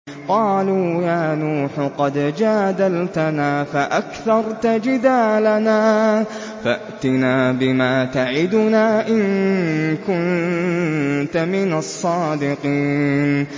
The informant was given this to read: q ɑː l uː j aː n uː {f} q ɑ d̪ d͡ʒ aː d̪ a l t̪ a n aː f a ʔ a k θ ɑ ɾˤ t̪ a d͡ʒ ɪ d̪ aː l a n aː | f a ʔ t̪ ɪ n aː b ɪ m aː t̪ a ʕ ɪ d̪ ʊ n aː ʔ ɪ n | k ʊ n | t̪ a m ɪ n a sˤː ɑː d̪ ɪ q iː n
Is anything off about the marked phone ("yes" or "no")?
yes